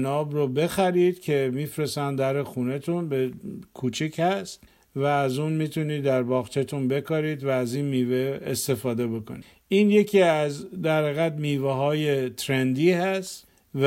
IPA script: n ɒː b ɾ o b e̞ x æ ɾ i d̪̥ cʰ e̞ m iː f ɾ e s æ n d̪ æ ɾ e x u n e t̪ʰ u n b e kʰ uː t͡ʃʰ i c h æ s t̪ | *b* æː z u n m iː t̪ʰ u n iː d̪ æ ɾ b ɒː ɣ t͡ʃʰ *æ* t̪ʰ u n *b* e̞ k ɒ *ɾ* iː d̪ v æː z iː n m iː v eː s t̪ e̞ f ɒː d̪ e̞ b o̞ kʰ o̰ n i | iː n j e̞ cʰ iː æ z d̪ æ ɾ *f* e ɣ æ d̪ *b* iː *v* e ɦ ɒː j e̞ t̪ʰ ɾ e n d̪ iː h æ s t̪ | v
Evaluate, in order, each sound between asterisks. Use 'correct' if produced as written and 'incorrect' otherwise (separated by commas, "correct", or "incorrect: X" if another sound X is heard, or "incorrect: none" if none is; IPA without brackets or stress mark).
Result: incorrect: v, incorrect: e, correct, correct, incorrect: h, incorrect: m, correct